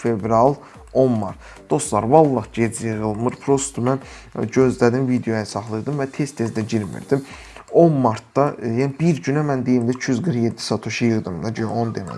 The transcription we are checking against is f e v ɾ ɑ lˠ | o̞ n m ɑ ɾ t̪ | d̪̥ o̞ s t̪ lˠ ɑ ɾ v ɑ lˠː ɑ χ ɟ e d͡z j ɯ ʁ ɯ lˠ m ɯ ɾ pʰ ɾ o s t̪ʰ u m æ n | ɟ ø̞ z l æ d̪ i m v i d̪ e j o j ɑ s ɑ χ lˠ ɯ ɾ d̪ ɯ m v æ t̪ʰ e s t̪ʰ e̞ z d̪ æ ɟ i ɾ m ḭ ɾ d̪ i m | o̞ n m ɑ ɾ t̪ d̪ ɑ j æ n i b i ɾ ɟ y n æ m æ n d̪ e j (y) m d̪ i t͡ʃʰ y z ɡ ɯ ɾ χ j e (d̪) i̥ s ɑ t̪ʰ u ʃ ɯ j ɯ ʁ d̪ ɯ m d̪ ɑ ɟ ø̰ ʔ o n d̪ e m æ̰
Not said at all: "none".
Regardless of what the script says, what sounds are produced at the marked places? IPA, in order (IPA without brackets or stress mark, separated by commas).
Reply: i, d̪ː